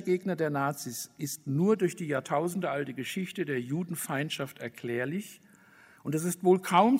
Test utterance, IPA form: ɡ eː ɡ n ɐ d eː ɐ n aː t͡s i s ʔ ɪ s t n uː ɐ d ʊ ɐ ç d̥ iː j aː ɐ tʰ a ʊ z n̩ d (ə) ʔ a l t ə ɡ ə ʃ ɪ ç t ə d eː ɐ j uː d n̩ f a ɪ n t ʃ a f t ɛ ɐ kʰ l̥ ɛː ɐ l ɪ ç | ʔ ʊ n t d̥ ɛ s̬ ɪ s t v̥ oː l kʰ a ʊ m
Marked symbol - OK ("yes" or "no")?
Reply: yes